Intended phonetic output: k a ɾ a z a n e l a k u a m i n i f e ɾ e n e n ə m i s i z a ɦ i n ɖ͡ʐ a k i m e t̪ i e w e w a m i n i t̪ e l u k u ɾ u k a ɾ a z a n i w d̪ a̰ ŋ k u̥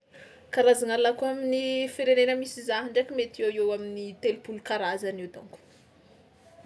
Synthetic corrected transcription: k a ɾ a z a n a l a k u a m i n i f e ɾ e n e n ə m i s i z a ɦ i ɳ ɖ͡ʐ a k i m e t̪ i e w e w a m i n i t̪ e l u p u l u k a ɾ a z a n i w d̪ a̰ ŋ k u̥